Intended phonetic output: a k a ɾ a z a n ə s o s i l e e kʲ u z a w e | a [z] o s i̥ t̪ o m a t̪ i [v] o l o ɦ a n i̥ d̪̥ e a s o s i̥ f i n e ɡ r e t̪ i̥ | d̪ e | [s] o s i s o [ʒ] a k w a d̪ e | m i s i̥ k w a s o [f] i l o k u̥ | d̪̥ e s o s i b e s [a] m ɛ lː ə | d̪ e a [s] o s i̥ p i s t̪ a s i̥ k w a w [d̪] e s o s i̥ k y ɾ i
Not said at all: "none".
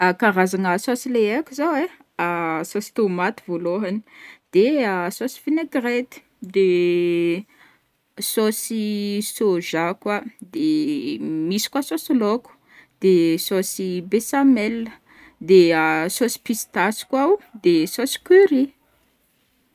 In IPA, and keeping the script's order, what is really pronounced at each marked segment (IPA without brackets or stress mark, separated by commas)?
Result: s, v, s, ʒ, s, a, s, d̪